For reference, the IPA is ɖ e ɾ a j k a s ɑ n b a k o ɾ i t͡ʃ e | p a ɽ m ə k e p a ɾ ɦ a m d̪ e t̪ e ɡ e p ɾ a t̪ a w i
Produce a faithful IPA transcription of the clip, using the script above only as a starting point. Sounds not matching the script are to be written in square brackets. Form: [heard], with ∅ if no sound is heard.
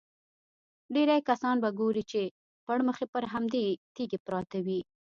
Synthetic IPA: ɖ e ɾ a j k a s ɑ n b a [ɡ] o ɾ i t͡ʃ e | p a ɽ m ə [x] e p [ə] ɾ ɦ a m d̪ e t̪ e ɡ e p ɾ [ɑ] t̪ a w i